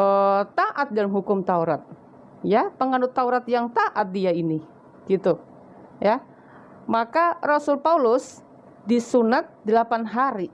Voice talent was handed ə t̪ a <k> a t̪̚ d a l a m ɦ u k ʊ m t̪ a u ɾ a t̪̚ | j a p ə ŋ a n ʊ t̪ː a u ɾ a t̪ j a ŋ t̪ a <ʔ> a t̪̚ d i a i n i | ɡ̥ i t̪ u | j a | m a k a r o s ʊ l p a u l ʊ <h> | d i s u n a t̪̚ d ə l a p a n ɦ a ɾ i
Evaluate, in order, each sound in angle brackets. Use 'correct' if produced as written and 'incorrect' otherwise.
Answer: incorrect, correct, incorrect

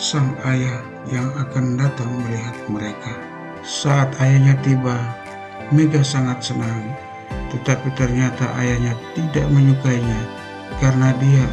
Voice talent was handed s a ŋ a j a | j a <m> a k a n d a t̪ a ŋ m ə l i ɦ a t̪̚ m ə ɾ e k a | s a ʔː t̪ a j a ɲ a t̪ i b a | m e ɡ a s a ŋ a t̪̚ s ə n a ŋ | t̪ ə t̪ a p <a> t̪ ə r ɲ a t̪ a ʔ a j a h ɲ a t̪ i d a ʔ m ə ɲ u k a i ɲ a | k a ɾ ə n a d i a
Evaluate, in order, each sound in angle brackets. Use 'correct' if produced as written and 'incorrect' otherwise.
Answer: incorrect, incorrect

